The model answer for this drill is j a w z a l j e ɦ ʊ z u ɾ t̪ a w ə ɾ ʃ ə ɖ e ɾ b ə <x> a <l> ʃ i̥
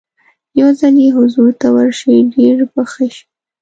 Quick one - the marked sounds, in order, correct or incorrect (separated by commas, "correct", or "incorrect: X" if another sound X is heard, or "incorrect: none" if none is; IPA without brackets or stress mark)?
correct, incorrect: none